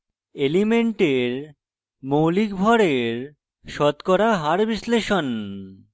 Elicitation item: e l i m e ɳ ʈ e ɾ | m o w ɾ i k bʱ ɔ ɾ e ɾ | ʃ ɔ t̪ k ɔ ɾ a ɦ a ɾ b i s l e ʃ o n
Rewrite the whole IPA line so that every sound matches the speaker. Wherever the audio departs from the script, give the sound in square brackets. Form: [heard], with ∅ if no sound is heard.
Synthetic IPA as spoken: e l i m e ɳ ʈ e ɾ | m o w [l] i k bʱ ɔ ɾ e ɾ | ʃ ɔ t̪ k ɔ ɾ a ɦ a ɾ b i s l e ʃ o n